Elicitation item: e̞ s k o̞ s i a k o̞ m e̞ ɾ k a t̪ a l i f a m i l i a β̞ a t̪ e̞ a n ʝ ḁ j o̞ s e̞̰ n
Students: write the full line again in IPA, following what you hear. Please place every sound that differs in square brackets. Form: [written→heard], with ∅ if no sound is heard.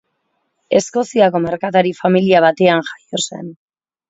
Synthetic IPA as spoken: e̞ s k o̞ s i a k o̞ m e̞ ɾ k a t̪ a [l→ɾ] i f a m i l i a β̞ a t̪ e̞ a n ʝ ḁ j o̞ s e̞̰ n